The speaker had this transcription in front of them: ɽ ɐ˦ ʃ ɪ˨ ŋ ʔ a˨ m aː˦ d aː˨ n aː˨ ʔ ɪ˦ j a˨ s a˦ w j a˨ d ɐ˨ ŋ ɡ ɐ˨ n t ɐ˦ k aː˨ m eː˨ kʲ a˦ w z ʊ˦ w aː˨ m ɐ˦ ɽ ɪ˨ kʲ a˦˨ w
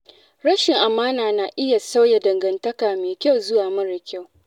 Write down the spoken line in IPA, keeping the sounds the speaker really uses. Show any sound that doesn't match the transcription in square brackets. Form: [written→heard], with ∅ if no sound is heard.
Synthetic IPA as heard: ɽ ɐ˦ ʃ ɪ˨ ŋ ʔ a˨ m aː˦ [d→n] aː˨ n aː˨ ʔ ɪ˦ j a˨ s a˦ w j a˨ d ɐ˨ ŋ ɡ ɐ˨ n t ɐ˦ k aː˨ m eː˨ kʲ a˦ w z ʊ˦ w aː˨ m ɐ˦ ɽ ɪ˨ kʲ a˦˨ w